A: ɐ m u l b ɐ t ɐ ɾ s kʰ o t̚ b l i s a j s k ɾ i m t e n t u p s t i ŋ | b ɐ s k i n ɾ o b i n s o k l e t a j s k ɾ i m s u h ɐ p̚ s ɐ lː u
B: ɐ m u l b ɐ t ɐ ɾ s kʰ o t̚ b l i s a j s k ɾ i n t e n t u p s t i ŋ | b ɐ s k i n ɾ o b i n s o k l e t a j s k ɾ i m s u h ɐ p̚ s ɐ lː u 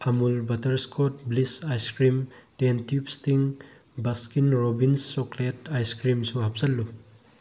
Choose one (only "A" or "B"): A